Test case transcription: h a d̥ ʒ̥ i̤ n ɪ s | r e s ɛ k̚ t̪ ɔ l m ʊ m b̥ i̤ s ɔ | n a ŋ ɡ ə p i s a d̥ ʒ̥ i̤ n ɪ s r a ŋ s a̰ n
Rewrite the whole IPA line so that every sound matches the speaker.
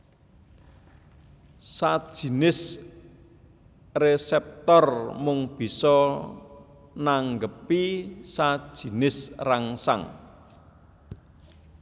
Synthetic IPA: s a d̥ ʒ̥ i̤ n ɪ s | r e s ɛ p̚ t̪ ɔ r m ʊ ŋ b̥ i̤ s ɔ | n a ŋ ɡ ə p i s a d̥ ʒ̥ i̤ n ɪ s r a ŋ s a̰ ŋ